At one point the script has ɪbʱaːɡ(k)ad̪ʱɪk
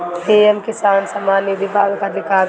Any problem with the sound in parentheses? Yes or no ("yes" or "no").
no